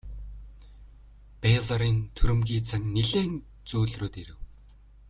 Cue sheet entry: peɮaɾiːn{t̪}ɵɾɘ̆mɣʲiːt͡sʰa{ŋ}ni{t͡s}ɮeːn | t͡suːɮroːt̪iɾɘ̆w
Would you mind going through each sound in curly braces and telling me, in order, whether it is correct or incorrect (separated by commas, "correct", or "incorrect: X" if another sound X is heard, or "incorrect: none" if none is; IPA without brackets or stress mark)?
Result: incorrect: t̪ʰ, correct, incorrect: none